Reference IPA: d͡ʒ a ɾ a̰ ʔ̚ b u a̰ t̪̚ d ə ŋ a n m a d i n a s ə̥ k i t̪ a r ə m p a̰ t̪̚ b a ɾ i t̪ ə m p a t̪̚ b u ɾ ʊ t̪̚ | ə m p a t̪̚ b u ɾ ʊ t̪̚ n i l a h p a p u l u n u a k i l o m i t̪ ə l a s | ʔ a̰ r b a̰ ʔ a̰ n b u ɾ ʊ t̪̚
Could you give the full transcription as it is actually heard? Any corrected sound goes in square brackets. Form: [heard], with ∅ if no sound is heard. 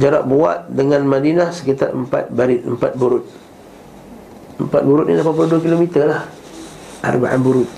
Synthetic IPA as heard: d͡ʒ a ɾ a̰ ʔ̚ b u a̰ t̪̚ d ə ŋ a n m a d i n a s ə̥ k i t̪ a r ə m p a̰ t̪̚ b a ɾ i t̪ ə m p a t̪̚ b u ɾ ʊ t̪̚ | ə m p a t̪̚ b u ɾ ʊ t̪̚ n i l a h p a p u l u [d] u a k i l o m i t̪ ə l a [h] | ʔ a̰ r b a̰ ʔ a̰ n b u ɾ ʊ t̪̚